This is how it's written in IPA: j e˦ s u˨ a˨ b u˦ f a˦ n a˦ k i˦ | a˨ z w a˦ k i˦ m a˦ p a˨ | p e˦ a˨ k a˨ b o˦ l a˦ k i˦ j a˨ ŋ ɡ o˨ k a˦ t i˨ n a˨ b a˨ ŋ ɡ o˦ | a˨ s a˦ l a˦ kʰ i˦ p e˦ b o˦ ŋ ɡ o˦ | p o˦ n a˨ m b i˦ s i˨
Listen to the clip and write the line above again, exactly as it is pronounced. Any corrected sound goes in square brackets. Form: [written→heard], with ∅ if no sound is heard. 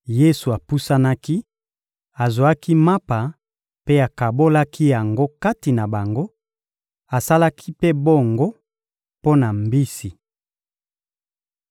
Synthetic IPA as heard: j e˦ s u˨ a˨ [b→p] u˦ [f→s] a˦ n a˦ k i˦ | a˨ z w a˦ k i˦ m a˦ p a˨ | p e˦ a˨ k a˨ b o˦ l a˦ k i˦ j a˨ ŋ ɡ [o˨→o˦] k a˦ t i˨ n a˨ b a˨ ŋ ɡ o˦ | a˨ s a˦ l a˦ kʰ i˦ p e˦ b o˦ ŋ ɡ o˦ | p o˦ n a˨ m b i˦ s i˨